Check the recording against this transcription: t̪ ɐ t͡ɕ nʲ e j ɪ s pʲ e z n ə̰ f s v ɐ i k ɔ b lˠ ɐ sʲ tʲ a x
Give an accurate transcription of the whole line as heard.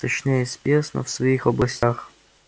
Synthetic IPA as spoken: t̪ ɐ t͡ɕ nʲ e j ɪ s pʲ e s n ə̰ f s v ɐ i x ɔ b lˠ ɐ sʲ tʲ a x